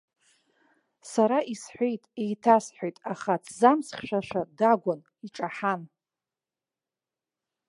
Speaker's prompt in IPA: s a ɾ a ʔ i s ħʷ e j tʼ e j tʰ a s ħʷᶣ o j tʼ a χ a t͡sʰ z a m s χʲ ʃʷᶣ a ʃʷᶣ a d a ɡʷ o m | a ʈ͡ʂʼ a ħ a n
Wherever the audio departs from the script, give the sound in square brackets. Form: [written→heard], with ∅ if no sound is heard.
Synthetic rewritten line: s a ɾ a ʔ i s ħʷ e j tʼ e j tʰ a s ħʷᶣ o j tʼ a χ a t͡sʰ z a m s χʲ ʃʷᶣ a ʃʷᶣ a d a ɡʷ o [m→n] | [a→i] ʈ͡ʂʼ a ħ a n